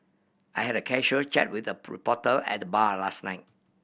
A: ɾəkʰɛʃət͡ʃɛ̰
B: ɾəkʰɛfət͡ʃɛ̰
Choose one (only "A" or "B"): A